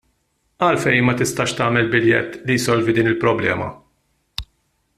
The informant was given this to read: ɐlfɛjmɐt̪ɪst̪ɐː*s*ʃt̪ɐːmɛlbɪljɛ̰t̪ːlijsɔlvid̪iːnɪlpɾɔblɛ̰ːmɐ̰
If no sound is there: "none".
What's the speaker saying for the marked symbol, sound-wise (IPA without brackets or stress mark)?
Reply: none